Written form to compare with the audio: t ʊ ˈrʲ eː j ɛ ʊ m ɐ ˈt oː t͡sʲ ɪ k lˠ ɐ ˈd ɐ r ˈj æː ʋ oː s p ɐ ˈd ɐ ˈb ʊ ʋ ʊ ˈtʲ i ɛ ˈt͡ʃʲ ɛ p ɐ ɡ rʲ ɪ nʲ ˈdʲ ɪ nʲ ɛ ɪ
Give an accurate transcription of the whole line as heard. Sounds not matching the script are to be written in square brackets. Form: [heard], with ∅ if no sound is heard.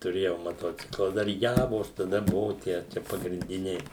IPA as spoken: t ʊ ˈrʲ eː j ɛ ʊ m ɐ ˈt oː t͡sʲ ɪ k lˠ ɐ ˈd ɐ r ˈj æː ʋ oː s [t] ɐ ˈd ɐ ˈb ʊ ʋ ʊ ˈtʲ i ɛ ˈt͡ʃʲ ɛ p ɐ ɡ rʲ ɪ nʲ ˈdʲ ɪ nʲ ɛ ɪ